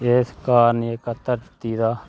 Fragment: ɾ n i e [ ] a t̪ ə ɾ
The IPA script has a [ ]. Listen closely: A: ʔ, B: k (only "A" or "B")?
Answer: B